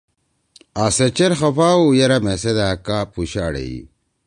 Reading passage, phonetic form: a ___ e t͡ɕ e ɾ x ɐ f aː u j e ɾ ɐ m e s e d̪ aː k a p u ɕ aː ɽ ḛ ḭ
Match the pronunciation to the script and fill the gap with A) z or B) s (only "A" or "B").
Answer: B